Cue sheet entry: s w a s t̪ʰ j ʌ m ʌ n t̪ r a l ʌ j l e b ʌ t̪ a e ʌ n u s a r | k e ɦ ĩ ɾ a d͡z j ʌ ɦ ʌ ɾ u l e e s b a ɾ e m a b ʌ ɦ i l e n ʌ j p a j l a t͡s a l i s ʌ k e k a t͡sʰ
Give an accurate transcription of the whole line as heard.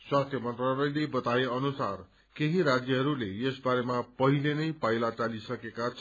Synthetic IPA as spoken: s w a s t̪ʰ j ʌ m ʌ n t̪ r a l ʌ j l e b ʌ t̪ a e ʌ n u s a r | k e ɦ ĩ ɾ a d͡z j ʌ ɦ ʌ ɾ u l e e s b a ɾ e m a p ʌ ɦ i l e n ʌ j p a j l a t͡s a l i s ʌ k e k a t͡sʰ